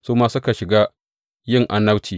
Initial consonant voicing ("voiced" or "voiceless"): voiceless